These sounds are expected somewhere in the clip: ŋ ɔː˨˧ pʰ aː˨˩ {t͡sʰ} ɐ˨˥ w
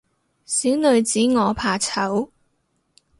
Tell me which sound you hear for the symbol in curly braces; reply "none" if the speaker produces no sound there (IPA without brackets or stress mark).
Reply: t͡sʰ